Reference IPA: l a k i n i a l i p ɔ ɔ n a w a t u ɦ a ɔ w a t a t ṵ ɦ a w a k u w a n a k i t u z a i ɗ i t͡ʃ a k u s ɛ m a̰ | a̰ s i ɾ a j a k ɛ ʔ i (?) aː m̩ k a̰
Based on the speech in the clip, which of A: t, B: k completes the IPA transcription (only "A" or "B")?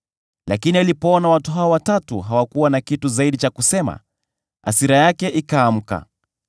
B